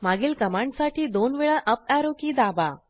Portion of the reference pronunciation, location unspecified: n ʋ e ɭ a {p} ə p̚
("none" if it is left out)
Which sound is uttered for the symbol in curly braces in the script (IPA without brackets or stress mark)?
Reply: ʔ